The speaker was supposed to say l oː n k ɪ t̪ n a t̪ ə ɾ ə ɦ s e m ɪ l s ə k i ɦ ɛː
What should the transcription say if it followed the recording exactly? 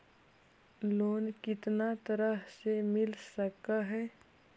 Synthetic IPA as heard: l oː n k ɪ t̪ n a t̪ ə ɾ ə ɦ s e m ɪ l s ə k a ɦ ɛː